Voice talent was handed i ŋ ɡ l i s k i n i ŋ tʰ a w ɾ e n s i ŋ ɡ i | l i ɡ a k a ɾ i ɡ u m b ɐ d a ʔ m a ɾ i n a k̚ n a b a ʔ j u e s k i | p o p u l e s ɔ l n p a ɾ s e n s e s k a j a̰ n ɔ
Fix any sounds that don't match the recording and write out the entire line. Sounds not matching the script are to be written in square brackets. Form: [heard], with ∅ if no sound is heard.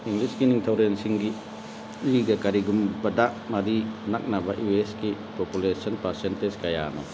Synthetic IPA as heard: i ŋ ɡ l i s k i n i ŋ tʰ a w ɾ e n s i ŋ ɡ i | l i ɡ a k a ɾ i ɡ u m b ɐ d a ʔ m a ɾ i n a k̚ n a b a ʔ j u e s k i | p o p u l e s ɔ [∅] n p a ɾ s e n [t] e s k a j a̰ n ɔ

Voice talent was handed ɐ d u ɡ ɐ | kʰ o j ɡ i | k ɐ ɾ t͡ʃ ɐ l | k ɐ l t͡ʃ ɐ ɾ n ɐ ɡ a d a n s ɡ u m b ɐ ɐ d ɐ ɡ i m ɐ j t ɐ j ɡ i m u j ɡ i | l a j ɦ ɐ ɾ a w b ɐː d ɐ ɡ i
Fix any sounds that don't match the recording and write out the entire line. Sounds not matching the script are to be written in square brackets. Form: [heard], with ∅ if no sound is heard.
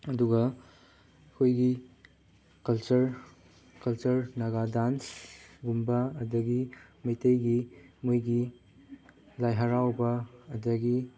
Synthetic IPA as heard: ɐ d u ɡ ɐ | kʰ o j ɡ i | k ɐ [l] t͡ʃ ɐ [ɾ] | k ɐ l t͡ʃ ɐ ɾ n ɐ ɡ a d a n s ɡ u m b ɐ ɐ d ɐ ɡ i m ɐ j t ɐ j ɡ i m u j ɡ i | l a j ɦ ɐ ɾ a w b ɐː d ɐ ɡ i

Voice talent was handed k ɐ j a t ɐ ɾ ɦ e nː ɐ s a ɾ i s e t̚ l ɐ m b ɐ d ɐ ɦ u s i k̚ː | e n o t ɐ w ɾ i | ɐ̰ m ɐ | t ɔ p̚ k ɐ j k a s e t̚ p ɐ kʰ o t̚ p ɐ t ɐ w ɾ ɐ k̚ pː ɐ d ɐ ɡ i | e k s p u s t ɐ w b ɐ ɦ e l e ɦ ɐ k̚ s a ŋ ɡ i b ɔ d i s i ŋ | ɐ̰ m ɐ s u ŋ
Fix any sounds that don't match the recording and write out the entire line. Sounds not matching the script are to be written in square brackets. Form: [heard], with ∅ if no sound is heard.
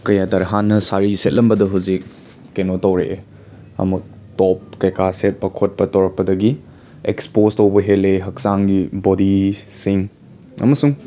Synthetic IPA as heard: k ɐ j a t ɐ ɾ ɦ [a] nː ɐ s a ɾ i s e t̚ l ɐ m b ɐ d ɐ ɦ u [z] i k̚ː | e n o t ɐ w ɾ [e] | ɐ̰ m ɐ | t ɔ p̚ k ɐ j k a s e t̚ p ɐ kʰ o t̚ p ɐ t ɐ w ɾ ɐ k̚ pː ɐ d ɐ ɡ i | e k s p [o] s t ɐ w b ɐ ɦ e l e ɦ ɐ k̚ s a ŋ ɡ i b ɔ d i s i ŋ | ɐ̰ m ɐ s u ŋ

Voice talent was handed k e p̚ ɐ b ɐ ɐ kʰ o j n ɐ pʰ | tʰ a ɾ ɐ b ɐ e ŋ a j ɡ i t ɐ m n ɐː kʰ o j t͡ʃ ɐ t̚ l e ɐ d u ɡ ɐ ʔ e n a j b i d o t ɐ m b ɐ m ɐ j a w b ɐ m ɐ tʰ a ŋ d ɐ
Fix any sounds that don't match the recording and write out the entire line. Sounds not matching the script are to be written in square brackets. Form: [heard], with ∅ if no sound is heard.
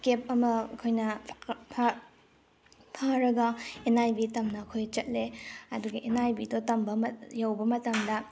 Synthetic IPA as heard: k e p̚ ɐ [m] ɐ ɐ kʰ o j n ɐ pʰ | [pʰ] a ɾ ɐ [ɡ] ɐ e [n] a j [b] i t ɐ m n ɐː kʰ o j t͡ʃ ɐ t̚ l e ɐ d u ɡ ɐ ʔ e n a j b i d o t ɐ m b ɐ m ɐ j a w b ɐ m ɐ [t] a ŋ d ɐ

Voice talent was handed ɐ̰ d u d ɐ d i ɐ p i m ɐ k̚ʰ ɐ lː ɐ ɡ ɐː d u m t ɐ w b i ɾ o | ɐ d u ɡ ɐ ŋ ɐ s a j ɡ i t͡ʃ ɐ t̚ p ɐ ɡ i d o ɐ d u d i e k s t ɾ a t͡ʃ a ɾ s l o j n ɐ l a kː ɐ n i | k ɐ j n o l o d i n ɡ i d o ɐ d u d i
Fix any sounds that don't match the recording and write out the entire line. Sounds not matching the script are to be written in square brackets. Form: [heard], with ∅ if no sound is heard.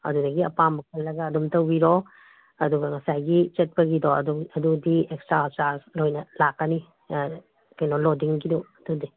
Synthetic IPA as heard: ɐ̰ d u d ɐ [ɡ] i ɐ p [a] m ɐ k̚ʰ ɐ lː ɐ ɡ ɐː d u m t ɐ w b i ɾ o | ɐ d u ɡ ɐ ŋ ɐ s a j ɡ i t͡ʃ ɐ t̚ p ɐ ɡ i d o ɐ d u d i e k s t ɾ a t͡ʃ a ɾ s l o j n ɐ l a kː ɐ n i | k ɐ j n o l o d i [ŋ] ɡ i d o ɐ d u d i

